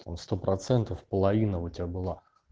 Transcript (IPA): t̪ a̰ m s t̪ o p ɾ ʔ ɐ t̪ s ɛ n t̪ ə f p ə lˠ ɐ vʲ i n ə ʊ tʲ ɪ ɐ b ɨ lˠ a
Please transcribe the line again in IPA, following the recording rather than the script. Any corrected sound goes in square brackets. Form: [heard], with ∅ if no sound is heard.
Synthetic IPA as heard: t̪ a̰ m s t̪ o p ɾ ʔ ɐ t̪ s ɛ n t̪ ə f p ə lˠ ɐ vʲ i n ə ʊ tʲ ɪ [a] b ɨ lˠ a